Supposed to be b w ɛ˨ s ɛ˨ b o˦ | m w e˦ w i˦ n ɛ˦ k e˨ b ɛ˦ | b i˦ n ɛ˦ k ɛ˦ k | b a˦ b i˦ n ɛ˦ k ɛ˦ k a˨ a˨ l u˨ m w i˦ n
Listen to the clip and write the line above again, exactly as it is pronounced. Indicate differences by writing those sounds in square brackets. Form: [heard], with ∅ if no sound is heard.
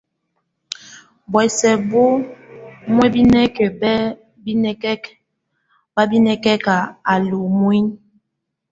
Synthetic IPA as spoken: b w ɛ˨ s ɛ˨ b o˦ | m w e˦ [b] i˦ n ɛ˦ k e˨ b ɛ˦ | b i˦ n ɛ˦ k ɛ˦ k | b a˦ b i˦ n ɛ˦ k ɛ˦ k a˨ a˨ l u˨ m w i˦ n